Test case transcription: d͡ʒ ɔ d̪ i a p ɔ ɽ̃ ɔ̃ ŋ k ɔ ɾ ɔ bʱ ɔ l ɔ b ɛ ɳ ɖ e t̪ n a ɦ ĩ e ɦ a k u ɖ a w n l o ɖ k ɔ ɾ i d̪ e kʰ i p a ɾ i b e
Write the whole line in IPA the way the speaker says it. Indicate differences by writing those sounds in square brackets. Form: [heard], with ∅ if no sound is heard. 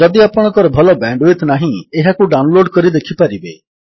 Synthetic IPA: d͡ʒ ɔ d̪ i a p ɔ ɽ̃ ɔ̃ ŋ k ɔ ɾ ɔ bʱ ɔ l ɔ b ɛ ɳ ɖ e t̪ n a ɦ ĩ e ɦ a k u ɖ a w n l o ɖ k ɔ ɾ i d̪ e kʰ i p a ɾ i b e